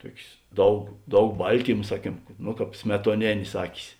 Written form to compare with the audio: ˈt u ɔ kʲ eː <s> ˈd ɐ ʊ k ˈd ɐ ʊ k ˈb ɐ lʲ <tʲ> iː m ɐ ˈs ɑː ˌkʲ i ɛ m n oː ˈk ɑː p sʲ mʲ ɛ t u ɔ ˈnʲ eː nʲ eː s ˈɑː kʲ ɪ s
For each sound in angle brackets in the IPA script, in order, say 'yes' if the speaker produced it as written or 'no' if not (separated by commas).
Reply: yes, yes